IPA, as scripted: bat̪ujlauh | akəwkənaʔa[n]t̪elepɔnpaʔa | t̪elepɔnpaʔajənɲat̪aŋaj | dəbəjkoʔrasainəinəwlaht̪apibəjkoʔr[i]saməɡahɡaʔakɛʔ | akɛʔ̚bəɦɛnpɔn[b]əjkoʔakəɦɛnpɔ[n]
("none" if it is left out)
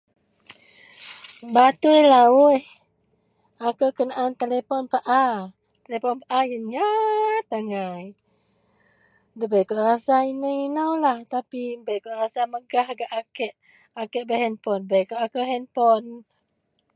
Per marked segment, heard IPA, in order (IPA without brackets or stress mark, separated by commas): n, a, b, n